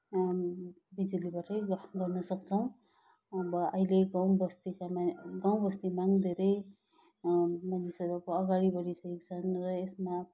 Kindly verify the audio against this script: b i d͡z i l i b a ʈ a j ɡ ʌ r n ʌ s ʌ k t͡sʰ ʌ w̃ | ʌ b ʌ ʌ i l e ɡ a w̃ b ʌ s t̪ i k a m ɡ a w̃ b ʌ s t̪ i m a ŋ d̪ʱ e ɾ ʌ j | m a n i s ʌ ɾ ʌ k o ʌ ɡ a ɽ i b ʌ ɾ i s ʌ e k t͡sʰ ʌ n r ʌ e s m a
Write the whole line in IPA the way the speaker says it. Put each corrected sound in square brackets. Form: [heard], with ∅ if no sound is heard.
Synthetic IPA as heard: b i d͡z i l i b a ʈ [ʌ] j ɡ ʌ r n ʌ s ʌ k t͡sʰ ʌ w̃ | ʌ b ʌ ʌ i l e ɡ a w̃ b ʌ s t̪ i k a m ɡ a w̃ b ʌ s t̪ i m a ŋ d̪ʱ e ɾ ʌ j | m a n i s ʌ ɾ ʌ k o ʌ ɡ a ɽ i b ʌ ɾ i s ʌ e k t͡sʰ ʌ n r ʌ e s m a